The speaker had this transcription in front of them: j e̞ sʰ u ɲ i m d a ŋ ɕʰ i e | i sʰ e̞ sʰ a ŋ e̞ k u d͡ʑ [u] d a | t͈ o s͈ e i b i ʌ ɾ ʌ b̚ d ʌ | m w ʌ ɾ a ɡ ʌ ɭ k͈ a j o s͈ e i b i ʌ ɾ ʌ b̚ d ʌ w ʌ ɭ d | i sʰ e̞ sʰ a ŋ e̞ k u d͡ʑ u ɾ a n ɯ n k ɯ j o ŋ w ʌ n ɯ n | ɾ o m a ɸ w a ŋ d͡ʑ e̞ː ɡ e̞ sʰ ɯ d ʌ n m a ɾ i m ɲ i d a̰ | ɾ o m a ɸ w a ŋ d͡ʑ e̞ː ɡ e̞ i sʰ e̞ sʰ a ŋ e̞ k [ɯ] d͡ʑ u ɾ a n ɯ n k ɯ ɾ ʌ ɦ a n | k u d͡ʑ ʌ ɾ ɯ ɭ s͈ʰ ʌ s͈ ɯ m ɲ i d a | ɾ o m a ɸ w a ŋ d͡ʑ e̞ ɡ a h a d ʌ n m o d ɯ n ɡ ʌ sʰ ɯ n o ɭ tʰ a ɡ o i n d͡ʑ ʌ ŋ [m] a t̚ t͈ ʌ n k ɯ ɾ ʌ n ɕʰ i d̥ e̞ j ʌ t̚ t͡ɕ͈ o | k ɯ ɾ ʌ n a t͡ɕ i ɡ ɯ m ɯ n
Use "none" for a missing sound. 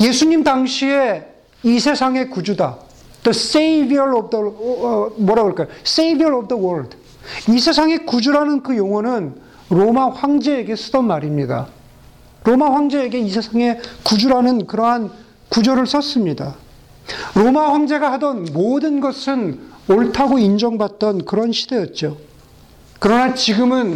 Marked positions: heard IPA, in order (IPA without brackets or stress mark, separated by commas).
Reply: u, u, b